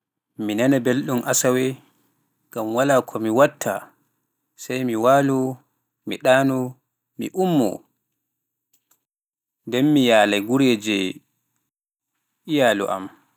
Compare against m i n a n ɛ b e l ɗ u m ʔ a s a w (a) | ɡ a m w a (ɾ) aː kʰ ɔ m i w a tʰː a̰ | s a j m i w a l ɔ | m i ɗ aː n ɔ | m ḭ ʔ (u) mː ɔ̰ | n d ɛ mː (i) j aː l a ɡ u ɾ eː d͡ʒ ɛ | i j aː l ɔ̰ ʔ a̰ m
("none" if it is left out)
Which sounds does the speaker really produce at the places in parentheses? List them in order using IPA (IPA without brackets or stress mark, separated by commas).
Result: ɛ, l, u, i